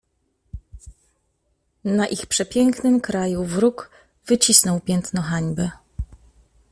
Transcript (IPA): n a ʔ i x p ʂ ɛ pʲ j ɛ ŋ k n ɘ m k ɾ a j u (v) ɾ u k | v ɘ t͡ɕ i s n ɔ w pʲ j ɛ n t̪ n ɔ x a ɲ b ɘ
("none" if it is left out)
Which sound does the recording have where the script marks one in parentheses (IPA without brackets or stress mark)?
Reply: v